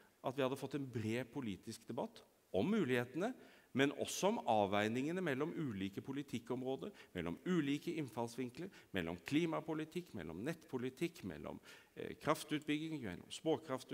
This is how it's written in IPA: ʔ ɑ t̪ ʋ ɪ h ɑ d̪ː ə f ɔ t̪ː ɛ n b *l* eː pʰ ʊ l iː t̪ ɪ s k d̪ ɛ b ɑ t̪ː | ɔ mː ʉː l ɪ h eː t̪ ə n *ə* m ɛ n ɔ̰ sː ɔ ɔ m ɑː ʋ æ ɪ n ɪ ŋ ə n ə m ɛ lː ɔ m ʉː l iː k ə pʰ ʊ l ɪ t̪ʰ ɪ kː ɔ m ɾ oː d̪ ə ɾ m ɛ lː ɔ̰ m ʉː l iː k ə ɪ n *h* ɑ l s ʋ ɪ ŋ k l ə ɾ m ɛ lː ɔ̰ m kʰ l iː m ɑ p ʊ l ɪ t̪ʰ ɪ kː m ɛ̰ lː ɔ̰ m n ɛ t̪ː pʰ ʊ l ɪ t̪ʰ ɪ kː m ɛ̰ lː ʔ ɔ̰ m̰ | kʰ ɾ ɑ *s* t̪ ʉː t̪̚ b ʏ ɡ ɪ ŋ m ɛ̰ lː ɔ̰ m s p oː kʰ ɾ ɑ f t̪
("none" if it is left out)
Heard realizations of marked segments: ɾ, ə, f, f

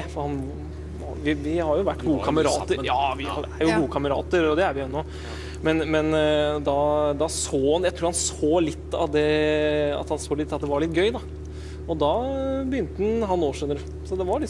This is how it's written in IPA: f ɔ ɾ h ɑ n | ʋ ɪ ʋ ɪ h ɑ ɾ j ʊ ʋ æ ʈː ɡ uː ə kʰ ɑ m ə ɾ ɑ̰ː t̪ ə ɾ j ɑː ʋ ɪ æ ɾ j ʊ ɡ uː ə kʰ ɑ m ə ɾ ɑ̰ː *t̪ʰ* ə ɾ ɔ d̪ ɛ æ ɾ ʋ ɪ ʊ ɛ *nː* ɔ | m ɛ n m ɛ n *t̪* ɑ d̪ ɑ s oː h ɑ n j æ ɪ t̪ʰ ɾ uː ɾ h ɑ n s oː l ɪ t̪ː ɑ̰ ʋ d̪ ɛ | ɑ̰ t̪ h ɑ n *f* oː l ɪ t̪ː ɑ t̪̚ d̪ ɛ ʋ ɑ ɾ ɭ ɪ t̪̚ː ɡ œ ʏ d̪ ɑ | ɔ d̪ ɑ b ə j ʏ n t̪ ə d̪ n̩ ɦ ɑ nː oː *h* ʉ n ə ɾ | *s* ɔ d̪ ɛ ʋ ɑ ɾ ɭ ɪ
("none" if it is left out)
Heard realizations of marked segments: t̪, nː, d̪, s, ʂ, s

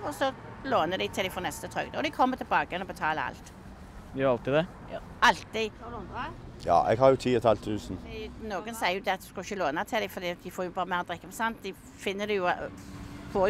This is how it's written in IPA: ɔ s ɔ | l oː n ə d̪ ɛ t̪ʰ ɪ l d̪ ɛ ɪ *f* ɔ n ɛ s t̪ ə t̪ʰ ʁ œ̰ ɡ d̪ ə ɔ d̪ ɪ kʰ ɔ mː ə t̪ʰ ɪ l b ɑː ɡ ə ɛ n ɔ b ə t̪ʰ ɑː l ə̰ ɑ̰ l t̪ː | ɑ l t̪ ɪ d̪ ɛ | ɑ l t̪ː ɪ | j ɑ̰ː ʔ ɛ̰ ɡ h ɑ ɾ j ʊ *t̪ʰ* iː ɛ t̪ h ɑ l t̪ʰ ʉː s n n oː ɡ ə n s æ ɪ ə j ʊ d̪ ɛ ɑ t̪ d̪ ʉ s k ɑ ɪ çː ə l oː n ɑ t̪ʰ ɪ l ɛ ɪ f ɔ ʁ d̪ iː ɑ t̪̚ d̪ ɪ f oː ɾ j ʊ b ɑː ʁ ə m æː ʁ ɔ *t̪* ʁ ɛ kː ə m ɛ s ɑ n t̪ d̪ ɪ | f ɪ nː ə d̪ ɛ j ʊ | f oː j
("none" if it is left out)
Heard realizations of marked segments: f, t̪ʰ, d̪

